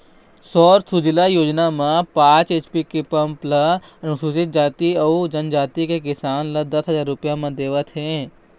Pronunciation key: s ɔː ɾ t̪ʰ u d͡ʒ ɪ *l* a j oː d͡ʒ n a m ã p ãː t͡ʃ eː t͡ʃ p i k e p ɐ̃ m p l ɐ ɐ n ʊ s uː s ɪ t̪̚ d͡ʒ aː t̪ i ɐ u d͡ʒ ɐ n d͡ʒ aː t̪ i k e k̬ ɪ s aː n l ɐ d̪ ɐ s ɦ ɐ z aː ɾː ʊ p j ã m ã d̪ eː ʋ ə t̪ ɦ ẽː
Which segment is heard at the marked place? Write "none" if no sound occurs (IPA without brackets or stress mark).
l